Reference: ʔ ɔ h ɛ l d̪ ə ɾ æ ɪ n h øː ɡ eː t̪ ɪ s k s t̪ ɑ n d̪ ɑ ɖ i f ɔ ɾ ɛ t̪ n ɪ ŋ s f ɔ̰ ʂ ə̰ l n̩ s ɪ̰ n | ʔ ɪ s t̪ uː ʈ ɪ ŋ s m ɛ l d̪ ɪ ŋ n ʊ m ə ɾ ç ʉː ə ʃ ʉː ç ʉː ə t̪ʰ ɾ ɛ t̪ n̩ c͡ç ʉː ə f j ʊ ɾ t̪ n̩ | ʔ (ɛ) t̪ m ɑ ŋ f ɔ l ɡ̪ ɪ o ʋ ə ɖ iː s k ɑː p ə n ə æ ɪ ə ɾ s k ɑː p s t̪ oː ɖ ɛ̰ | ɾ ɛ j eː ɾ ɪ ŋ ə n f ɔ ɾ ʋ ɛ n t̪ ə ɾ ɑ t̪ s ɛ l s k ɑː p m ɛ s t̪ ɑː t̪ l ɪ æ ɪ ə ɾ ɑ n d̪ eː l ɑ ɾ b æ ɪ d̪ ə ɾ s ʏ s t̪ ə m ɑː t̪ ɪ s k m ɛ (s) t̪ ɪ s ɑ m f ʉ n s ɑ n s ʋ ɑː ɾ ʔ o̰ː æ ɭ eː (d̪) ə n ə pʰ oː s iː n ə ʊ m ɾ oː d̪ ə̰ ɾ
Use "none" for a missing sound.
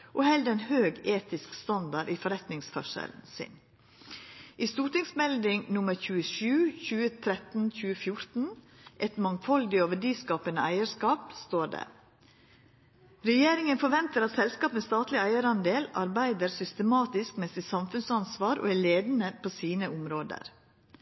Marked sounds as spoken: ɛ, s, d̪

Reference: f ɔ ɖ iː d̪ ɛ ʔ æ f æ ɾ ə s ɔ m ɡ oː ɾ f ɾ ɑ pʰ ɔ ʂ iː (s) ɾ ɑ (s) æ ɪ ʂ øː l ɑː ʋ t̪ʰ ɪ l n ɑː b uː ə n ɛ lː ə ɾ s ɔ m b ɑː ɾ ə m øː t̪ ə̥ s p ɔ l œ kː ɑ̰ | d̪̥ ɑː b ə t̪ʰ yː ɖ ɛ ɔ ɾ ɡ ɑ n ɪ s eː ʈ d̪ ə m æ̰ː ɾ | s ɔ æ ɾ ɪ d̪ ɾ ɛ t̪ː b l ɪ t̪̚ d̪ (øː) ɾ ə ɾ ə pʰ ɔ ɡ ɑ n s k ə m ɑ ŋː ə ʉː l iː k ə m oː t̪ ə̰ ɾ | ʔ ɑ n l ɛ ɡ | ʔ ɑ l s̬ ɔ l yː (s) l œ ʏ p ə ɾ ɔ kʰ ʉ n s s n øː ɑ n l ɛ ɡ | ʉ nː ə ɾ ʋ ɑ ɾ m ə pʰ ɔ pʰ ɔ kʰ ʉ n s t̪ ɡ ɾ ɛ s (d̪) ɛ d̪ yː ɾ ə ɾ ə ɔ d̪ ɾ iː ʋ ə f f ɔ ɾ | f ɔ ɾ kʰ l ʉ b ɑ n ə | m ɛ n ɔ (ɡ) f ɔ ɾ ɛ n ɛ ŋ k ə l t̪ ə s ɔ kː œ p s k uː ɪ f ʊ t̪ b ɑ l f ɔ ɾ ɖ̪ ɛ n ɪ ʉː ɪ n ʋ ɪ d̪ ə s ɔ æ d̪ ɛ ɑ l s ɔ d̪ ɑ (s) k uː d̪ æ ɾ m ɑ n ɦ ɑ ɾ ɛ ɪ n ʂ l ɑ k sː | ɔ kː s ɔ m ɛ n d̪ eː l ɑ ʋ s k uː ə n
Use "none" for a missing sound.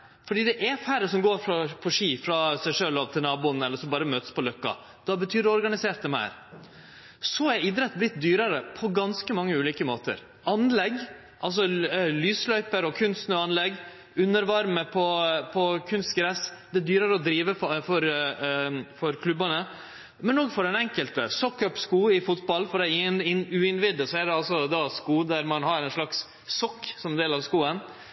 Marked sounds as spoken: f, s, yː, s, d̪, ɡ, s

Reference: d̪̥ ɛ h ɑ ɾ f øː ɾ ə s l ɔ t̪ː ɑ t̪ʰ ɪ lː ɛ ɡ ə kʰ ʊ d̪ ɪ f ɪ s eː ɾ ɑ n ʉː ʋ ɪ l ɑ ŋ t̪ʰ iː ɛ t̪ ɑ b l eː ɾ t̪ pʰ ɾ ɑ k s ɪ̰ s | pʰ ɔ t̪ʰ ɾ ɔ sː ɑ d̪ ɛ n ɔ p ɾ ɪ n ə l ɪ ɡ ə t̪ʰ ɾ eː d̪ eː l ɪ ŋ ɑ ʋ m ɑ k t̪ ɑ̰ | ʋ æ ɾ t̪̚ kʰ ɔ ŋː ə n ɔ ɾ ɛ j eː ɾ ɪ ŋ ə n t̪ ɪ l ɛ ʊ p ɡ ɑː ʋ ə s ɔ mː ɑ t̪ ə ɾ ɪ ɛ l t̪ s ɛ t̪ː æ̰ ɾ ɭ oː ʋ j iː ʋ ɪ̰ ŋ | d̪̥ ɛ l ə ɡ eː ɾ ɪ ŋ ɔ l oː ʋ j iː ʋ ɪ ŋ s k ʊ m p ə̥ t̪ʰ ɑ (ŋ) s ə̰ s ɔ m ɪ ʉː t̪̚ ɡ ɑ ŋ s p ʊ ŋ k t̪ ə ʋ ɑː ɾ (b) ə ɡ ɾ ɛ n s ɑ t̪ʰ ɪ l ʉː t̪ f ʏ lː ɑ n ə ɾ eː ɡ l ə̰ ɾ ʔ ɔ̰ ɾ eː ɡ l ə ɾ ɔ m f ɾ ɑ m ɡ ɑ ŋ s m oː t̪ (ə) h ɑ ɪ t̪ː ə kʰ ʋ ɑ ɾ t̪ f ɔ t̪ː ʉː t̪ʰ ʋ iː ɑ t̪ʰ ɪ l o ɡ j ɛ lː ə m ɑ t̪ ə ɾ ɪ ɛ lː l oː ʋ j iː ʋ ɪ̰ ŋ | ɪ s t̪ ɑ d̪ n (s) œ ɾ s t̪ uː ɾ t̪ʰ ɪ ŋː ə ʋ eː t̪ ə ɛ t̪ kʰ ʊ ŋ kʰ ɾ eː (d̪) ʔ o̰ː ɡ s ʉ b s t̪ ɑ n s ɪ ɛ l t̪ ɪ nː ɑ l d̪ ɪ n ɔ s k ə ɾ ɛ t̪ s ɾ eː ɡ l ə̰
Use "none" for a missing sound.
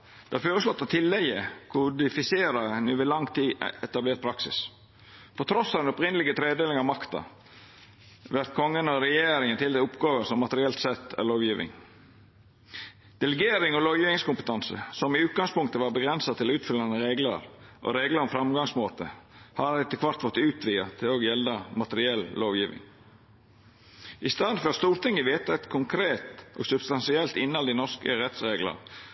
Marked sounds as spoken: n, b, ə, f, t̪

